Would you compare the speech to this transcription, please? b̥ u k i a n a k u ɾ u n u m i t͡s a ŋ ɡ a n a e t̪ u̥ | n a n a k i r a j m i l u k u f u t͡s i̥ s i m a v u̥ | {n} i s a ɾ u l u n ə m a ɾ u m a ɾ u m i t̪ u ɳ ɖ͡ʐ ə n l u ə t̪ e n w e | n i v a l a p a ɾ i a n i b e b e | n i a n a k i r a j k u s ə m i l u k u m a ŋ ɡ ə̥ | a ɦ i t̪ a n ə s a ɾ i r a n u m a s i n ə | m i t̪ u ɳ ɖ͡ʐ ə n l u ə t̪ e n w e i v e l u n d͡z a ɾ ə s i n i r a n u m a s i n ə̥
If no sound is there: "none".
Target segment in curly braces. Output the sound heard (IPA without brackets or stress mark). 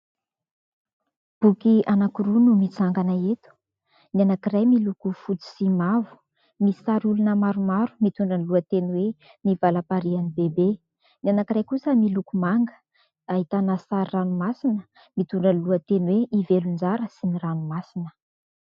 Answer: m